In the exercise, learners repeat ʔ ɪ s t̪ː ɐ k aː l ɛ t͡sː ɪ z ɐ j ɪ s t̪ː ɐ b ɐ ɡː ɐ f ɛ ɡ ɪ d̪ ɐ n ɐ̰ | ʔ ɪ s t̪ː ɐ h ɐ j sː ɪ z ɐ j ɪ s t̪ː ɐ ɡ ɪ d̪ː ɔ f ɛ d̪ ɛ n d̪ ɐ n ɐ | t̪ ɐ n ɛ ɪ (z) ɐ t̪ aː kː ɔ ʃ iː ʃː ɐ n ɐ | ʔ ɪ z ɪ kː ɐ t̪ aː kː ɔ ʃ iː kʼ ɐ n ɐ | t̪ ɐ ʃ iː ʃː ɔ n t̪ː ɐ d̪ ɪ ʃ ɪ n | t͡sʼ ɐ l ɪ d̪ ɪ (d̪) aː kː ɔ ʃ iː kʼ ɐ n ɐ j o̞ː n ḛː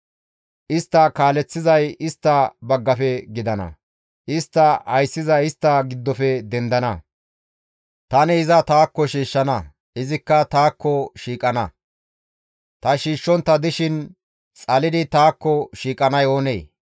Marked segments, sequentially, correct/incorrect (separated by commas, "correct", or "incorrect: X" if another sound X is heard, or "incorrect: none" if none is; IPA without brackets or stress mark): correct, incorrect: t̪